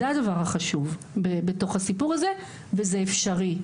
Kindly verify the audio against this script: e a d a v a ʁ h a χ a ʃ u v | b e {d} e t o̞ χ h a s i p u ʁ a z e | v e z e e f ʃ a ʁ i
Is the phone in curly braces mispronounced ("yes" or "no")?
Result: yes